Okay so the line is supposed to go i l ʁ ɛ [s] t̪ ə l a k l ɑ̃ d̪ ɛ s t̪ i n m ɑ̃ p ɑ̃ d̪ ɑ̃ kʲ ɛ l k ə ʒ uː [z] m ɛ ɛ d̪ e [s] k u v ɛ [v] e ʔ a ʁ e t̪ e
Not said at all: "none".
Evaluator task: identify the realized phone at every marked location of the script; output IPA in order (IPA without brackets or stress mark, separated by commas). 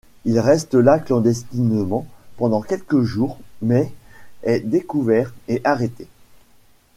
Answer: s, ʁ, none, ʁ